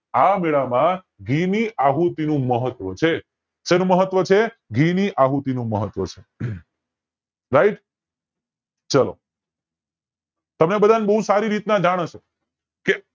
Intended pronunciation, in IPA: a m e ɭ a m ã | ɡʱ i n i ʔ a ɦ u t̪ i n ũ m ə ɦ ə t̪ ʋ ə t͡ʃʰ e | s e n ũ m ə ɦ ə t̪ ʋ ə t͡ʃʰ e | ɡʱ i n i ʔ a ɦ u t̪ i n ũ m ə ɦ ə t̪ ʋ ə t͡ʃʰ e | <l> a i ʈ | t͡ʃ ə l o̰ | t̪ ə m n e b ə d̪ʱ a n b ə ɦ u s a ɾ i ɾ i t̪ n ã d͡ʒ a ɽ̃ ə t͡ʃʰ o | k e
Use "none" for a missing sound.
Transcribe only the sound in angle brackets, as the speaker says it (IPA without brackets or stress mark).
ɾ